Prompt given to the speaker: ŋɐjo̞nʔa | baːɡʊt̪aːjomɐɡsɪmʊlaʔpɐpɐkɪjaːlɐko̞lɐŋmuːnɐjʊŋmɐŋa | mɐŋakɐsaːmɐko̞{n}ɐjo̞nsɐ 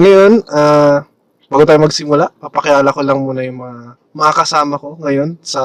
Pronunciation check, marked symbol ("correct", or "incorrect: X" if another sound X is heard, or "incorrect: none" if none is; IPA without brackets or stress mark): incorrect: ŋ